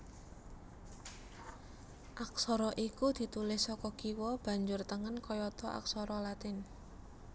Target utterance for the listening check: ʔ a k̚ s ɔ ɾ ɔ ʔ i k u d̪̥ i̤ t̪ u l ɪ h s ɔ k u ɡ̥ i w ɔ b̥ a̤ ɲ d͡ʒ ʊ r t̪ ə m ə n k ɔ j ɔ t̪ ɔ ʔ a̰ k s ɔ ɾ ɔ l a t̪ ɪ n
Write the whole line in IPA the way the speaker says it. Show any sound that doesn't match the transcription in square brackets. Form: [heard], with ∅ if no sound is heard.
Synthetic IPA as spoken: ʔ a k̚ s ɔ ɾ ɔ ʔ i k u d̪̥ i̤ t̪ u l ɪ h s ɔ k [ɔ] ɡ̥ i w ɔ b̥ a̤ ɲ d͡ʒ ʊ r t̪ ə [ŋ] ə n k ɔ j ɔ t̪ ɔ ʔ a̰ k s ɔ ɾ ɔ l a t̪ ɪ n